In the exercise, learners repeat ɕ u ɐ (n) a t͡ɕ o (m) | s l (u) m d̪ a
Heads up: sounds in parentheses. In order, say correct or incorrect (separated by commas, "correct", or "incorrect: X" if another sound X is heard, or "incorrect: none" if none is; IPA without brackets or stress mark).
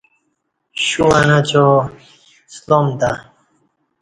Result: correct, incorrect: none, incorrect: o